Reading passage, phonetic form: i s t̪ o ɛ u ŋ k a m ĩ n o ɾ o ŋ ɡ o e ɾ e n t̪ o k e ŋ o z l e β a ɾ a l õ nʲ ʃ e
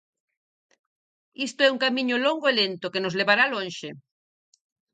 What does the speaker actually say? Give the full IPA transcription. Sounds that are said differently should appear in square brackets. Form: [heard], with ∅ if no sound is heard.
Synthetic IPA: i s t̪ o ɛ u ŋ k a m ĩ [ɲ] o [l] o ŋ ɡ o e [l] e n t̪ o k e [n] o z l e β a ɾ a l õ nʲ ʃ e